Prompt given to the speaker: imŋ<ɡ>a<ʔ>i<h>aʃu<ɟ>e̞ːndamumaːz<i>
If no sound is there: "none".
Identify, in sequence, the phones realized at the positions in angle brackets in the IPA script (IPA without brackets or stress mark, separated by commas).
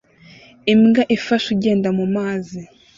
ɡ, ʔ, f, ɟ, i